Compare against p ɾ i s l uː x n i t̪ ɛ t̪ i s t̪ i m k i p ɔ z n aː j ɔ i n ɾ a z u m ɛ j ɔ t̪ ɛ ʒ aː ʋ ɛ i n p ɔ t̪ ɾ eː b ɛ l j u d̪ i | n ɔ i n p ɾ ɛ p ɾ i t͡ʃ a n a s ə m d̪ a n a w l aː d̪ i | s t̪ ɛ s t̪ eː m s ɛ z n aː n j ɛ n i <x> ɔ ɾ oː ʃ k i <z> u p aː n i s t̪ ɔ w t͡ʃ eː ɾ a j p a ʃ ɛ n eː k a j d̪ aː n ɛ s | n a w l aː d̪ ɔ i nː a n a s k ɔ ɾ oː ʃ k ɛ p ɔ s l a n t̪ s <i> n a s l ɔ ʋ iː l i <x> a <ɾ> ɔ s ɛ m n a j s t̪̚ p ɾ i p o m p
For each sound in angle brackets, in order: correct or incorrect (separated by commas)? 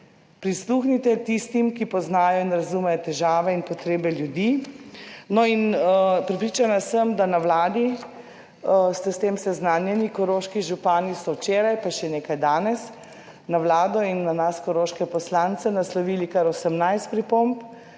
incorrect, incorrect, incorrect, incorrect, correct